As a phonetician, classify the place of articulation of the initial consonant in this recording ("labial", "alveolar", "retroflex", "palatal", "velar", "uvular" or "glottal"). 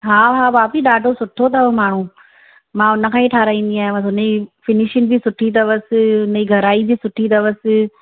glottal